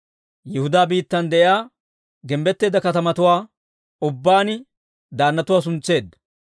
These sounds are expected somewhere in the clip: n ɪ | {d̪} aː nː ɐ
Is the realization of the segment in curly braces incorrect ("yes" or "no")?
no